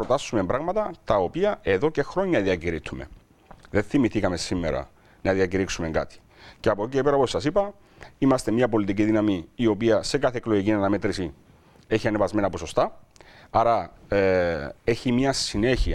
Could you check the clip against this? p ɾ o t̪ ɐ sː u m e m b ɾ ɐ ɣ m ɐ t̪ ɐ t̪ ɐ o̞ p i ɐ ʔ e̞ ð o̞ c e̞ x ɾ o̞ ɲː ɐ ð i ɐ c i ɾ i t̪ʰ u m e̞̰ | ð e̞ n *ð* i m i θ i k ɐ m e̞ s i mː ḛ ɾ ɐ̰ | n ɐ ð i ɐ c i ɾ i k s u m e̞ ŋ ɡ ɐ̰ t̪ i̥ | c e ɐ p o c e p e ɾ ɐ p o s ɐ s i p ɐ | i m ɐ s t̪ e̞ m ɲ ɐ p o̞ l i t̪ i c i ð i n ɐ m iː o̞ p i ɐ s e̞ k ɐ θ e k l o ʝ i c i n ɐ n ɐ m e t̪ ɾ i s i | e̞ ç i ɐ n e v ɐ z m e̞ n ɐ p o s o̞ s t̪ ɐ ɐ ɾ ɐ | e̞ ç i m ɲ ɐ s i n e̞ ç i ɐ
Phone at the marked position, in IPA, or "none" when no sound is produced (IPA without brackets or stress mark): θ